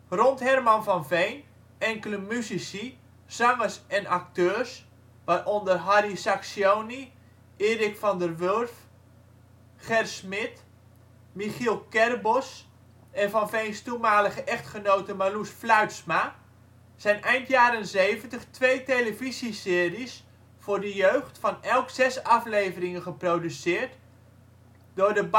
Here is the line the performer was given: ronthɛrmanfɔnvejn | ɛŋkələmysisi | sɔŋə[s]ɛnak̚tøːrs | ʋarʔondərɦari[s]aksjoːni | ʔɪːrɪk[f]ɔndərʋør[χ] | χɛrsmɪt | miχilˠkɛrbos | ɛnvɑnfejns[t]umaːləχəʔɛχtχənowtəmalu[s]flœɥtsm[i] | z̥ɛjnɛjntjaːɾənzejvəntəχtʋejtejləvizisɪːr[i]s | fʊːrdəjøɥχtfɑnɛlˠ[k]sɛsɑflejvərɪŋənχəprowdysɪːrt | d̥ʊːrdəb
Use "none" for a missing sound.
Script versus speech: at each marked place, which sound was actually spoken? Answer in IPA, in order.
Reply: s, s, f, f, t, s, a, i, k

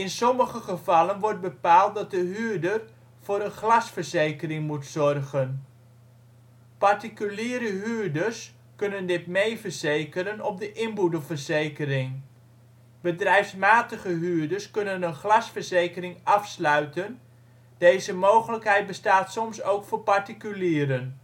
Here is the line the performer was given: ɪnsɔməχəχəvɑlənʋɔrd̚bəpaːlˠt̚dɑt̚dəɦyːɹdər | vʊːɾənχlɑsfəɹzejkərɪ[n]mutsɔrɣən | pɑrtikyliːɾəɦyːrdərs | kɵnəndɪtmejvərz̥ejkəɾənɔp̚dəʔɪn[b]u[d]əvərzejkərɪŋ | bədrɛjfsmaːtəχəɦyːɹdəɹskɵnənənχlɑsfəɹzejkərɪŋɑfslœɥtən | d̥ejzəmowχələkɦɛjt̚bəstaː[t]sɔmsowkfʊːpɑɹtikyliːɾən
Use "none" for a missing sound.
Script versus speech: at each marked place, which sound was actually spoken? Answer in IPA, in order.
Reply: ŋ, b, d, t

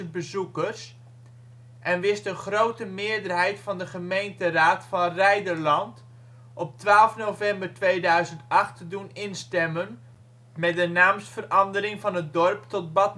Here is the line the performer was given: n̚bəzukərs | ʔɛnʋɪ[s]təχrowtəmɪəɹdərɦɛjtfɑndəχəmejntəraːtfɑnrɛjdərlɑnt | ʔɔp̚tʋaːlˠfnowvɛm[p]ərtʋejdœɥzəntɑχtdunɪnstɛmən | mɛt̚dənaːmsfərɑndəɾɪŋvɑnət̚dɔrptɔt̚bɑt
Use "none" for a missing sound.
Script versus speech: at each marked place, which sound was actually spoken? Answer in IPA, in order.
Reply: s, b

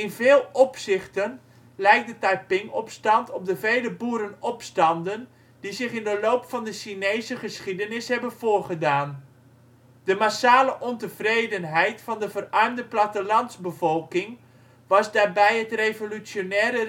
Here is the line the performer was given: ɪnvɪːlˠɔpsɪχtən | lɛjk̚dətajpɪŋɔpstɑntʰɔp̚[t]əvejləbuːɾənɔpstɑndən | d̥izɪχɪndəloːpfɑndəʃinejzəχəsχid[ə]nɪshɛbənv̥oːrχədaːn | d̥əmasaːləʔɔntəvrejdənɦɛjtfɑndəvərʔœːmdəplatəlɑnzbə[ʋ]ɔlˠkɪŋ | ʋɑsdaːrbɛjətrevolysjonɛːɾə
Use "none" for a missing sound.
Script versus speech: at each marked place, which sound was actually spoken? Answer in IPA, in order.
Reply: d, ə, v

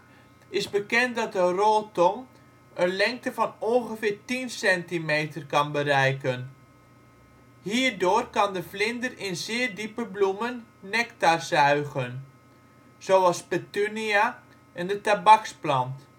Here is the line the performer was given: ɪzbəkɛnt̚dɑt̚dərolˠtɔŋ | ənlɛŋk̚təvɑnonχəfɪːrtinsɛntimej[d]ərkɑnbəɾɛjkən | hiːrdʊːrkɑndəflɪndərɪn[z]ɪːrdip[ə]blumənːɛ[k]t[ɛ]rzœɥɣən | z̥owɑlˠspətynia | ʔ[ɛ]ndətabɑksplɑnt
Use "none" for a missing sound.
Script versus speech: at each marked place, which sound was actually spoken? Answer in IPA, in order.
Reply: t, z, ə, k, a, ɛ

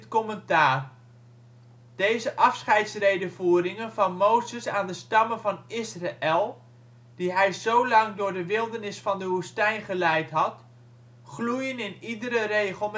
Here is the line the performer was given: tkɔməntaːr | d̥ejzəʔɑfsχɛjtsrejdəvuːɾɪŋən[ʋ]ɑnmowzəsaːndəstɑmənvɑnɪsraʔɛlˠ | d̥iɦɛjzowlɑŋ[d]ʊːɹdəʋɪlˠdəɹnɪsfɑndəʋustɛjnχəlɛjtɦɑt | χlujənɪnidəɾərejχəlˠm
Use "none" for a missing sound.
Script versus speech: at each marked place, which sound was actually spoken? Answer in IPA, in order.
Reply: v, d

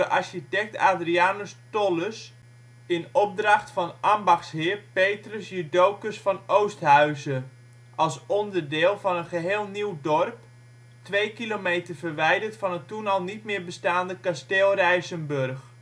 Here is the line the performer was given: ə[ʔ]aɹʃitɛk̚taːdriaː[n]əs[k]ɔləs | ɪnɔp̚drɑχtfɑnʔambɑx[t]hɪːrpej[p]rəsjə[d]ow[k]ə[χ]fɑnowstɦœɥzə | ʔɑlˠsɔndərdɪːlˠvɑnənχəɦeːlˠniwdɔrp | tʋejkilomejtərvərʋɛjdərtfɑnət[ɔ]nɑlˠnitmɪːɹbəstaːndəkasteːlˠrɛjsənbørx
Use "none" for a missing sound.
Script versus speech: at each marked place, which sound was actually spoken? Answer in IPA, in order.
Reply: ʔ, n, t, s, t, d, k, s, u

